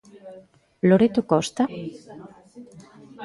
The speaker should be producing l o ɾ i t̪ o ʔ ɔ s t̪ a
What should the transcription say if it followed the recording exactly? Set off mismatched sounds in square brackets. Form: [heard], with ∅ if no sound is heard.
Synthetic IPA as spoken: l o ɾ [e] t̪ o [k] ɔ s t̪ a